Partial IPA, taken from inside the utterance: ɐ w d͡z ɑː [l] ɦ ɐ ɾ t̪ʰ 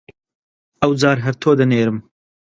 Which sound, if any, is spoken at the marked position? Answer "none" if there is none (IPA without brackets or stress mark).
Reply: ɾ